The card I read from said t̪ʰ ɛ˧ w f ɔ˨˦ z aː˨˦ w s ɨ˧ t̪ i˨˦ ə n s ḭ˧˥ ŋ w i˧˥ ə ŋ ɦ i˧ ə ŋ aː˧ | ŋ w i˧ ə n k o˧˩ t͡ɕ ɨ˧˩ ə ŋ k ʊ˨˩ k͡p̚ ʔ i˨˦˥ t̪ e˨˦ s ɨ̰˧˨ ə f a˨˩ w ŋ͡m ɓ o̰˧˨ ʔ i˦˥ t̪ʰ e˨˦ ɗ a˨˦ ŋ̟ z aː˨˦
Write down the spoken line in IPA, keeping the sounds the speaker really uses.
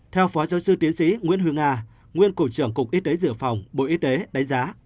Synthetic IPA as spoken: t̪ʰ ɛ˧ w f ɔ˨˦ z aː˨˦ w s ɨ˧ t̪ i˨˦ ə n s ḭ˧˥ ŋ w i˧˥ ə n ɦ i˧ ə ŋ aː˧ | ŋ w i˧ ə n k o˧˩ t͡ɕ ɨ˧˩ ə ŋ k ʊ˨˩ k͡p̚ ʔ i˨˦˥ t̪ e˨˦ z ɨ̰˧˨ ə f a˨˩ w ŋ͡m ɓ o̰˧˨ ʔ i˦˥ t̪ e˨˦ ɗ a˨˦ ŋ̟ z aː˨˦